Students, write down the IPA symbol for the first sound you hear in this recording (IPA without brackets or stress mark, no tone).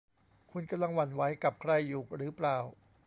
kʰ